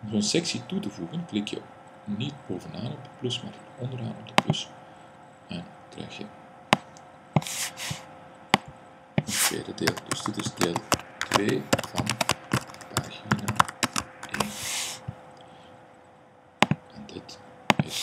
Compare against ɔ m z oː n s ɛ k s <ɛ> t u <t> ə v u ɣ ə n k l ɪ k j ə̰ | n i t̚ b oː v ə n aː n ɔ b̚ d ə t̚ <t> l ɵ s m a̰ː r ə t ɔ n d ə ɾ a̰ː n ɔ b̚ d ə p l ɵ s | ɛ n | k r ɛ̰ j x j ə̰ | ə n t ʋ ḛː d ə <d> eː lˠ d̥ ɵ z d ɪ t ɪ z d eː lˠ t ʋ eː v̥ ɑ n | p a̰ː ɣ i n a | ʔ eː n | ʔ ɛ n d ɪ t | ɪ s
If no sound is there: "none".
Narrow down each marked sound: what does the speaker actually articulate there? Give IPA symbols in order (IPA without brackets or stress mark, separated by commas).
i, t, p, d